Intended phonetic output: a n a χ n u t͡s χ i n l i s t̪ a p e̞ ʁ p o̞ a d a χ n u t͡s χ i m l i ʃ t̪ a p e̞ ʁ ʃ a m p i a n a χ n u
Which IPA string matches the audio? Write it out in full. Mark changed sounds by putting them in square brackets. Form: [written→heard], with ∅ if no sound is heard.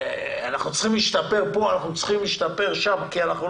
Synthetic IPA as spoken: a n a χ n u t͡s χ i [n→m] l i [s→ʃ] t̪ a p e̞ ʁ p o̞ a [d→n] a χ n u t͡s χ i m l i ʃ t̪ a p e̞ ʁ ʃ a m [p→k] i a n a χ n u